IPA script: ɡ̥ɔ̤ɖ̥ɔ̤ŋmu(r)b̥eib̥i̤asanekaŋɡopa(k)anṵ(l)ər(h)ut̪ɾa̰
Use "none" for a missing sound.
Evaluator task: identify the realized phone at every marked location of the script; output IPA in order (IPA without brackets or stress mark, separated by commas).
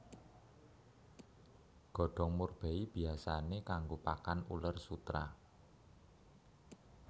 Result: r, k, l, s